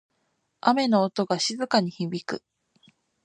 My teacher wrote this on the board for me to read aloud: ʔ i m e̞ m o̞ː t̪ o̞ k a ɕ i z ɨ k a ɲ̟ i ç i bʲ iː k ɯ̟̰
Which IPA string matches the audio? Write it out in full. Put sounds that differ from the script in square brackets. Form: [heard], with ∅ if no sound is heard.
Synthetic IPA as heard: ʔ [a] m e̞ [n] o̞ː t̪ o̞ [ɡ] a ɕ i z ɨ k a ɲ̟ i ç i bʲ [i] k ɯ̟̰